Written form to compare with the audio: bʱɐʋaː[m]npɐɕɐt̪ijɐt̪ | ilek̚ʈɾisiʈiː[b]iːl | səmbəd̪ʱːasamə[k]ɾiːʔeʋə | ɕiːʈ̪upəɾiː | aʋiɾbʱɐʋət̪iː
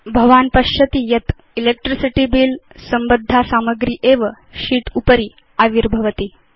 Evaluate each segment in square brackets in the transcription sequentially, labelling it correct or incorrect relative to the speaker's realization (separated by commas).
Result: incorrect, correct, incorrect